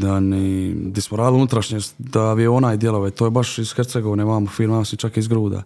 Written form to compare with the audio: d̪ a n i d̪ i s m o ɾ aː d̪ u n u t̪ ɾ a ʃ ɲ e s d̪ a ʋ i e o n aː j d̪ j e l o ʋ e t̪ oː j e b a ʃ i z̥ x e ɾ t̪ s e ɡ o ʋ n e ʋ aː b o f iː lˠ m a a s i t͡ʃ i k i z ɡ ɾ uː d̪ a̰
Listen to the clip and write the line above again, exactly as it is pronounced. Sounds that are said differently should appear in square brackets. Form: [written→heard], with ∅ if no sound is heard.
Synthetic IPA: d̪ a n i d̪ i s m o ɾ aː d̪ u n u t̪ ɾ a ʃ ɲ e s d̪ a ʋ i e o n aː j d̪ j e l o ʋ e t̪ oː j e b a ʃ i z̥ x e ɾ t̪ s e ɡ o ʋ n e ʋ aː [b→m] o f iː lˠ m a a s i t͡ʃ [i→a] k i z ɡ ɾ uː d̪ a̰